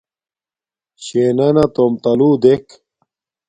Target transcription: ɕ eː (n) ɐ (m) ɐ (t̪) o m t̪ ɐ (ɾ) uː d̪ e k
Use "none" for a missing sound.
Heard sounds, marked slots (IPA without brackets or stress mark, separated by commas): n, n, t̪, l